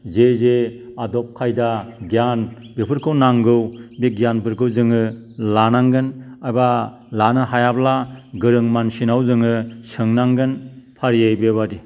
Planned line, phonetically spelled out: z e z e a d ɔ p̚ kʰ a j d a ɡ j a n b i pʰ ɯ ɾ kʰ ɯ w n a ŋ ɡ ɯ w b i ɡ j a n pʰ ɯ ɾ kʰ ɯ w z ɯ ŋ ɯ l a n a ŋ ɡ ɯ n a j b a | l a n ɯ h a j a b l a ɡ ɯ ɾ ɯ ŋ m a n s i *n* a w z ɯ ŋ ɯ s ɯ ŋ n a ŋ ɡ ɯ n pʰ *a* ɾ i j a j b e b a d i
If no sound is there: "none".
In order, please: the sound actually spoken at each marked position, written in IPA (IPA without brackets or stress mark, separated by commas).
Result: n, a